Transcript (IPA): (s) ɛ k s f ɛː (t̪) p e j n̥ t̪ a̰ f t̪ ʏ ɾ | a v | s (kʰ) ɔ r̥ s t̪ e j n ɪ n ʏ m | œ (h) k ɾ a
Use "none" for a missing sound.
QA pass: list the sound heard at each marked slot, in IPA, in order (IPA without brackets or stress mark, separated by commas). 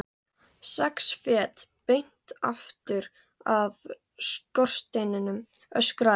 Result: s, t̪, k, s